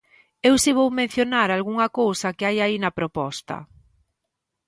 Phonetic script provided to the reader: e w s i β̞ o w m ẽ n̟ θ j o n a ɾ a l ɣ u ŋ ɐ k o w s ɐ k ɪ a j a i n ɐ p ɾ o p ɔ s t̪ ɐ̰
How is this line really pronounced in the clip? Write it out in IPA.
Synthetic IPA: e w s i β̞ o w m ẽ n̟ θ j o n a ɾ a l ɣ u ŋ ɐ k o w s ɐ k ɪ a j a i n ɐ p ɾ o p ɔ s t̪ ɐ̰

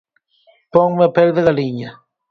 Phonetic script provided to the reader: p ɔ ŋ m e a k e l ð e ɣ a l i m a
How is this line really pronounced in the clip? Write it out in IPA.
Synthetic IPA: p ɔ ŋ m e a p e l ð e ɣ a l i ɲ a

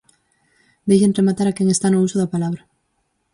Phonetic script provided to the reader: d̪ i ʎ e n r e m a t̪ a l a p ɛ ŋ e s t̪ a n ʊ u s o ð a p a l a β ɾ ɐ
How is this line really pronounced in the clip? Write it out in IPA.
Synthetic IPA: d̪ e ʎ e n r e m a t̪ a ɾ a k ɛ ŋ e s t̪ a n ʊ u s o ð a p a l a β ɾ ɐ

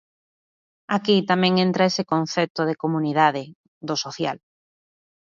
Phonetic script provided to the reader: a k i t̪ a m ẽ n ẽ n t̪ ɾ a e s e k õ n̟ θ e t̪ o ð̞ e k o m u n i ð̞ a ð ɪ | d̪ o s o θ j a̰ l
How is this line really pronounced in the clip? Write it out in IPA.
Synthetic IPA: a k i t̪ a m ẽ ŋ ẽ n t̪ ɾ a e s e k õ n̟ θ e t̪ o ð̞ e k o m u n i ð̞ a ð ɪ | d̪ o s o θ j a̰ l

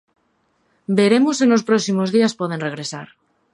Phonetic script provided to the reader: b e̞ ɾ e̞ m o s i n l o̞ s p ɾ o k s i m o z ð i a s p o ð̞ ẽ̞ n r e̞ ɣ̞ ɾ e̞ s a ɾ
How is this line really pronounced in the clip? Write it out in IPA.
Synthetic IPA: b e̞ ɾ e̞ m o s e n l o̞ s p ɾ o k s i m o z ð i a s p o ð̞ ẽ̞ n r e̞ ɣ̞ ɾ e̞ s a ɾ

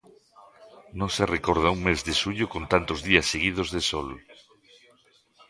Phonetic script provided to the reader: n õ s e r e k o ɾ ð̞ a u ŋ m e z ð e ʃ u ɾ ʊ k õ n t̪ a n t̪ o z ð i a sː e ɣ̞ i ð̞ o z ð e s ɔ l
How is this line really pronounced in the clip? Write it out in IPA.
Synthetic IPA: n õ s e r e k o ɾ ð̞ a u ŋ m e z ð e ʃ u ʎ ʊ k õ n t̪ a n t̪ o z ð i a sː e ɣ̞ i ð̞ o z ð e s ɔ l

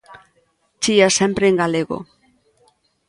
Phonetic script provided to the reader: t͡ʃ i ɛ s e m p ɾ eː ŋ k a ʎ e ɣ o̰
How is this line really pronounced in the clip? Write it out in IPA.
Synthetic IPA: t͡ʃ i a s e m p ɾ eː ŋ ɡ a l e ɣ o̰

